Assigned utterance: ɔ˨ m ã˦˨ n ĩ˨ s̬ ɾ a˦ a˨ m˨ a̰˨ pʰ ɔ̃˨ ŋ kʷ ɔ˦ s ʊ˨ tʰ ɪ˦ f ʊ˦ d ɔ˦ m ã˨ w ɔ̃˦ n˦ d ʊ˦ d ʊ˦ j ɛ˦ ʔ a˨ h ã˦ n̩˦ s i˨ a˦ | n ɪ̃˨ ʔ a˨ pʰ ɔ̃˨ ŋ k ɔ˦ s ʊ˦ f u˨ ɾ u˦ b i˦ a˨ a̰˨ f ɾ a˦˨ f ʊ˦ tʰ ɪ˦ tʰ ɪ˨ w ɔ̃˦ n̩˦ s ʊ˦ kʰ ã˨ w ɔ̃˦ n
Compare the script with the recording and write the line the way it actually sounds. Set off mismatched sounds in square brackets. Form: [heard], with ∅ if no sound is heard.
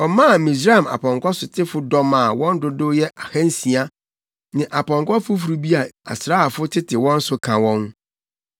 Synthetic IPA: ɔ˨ m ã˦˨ [m] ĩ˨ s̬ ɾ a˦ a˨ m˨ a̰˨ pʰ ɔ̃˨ ŋ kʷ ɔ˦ s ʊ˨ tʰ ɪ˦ f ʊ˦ d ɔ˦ m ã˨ w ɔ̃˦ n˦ d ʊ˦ d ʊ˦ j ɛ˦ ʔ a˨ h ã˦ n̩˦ s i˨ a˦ | n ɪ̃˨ ʔ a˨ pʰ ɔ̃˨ ŋ k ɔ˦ [f] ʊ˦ f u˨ ɾ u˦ b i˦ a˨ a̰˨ [s] ɾ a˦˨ f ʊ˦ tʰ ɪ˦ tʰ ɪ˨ w ɔ̃˦ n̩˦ s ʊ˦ kʰ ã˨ w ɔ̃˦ n